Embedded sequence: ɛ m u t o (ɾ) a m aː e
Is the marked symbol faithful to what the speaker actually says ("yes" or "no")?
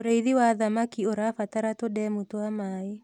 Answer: no